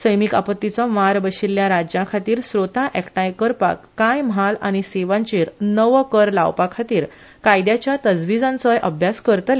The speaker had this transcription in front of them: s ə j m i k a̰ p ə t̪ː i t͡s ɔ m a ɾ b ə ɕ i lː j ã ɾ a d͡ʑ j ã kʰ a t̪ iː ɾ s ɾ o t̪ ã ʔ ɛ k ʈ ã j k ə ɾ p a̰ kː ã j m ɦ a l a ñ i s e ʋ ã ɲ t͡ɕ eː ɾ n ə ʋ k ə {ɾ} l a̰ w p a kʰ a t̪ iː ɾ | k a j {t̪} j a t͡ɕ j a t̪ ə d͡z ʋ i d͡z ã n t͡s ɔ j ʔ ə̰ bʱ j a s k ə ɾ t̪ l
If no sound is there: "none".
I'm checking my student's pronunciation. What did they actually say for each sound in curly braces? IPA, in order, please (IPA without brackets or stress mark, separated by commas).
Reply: ɾ, d̪